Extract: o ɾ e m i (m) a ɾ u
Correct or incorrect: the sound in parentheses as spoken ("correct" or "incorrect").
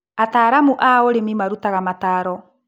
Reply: correct